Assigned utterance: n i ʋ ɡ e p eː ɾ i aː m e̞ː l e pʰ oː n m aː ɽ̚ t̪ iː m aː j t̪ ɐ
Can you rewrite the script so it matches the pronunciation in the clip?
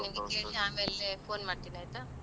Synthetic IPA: n i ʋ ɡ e k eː ɭ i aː m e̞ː l e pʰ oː n m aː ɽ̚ t̪ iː n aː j t̪ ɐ